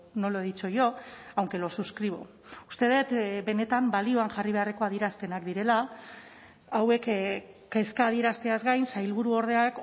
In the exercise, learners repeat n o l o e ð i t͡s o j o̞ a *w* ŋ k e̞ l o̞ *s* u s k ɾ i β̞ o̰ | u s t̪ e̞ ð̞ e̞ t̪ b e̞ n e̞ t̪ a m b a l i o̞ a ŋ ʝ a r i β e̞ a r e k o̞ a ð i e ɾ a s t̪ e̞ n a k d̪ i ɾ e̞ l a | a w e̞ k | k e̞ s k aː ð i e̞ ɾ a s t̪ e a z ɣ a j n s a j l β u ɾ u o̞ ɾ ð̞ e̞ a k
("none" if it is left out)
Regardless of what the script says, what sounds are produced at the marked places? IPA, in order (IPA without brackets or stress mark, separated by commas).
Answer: w, s